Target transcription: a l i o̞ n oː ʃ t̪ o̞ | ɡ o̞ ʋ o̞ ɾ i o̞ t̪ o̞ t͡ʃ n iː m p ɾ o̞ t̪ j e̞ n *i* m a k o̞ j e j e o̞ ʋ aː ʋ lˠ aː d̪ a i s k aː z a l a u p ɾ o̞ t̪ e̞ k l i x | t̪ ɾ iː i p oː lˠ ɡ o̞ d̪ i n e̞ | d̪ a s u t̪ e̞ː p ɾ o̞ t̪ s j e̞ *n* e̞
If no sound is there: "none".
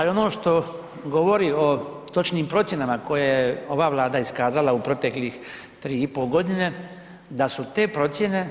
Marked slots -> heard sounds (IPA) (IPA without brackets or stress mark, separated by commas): a, n